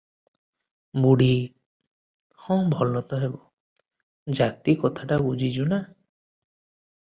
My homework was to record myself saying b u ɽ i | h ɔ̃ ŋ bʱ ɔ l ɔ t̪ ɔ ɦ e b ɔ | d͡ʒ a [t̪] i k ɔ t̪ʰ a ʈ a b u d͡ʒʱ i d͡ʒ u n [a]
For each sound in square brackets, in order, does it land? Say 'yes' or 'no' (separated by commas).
yes, yes